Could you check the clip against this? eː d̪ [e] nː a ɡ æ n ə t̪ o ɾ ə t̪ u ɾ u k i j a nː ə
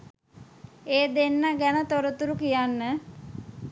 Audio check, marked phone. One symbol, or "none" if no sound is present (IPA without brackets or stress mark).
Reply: e